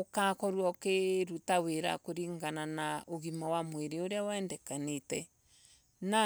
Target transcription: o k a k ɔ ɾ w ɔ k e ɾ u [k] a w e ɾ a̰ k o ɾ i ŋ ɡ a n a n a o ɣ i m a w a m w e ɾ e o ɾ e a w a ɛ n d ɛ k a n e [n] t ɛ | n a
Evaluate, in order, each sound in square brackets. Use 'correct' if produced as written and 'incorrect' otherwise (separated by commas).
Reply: incorrect, incorrect